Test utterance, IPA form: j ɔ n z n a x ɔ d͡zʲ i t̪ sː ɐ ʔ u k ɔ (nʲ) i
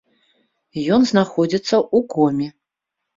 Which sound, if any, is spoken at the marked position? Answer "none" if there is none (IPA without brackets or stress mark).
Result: mʲ